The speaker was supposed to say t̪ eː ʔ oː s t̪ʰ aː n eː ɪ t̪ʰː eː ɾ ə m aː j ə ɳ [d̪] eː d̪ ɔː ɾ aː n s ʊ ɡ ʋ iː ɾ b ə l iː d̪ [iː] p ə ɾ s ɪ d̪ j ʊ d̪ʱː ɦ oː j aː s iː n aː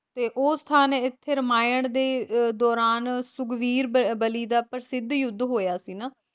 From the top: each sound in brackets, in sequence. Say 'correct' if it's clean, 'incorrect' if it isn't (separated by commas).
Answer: correct, incorrect